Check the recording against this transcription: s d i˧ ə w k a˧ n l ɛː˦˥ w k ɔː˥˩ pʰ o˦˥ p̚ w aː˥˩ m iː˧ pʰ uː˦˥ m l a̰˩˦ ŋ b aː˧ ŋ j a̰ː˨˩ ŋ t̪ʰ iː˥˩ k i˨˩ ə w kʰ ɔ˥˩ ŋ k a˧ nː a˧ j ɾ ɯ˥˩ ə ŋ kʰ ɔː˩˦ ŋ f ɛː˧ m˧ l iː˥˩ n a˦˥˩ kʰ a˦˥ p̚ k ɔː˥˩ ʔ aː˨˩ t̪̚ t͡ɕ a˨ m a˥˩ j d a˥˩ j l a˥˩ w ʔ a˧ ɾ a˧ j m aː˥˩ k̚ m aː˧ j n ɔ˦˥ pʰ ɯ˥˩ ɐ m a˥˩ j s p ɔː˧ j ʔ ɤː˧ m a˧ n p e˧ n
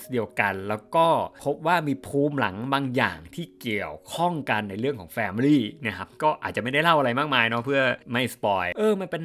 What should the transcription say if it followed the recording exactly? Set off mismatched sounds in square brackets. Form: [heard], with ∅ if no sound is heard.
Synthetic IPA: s d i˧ ə w k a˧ n l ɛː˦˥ w k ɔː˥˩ pʰ o˦˥ p̚ w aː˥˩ m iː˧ pʰ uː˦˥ m l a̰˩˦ ŋ b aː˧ ŋ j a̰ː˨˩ ŋ t̪ʰ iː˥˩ k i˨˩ ə w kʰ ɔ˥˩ ŋ k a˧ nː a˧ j ɾ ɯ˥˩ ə ŋ kʰ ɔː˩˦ ŋ f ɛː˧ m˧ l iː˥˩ n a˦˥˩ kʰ a˦˥ p̚ k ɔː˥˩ ʔ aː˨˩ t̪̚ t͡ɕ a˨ m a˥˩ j d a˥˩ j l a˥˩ w ʔ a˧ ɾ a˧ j m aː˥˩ k̚ m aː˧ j n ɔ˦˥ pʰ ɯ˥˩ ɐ m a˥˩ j s p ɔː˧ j ʔ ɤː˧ m a˧ n p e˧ n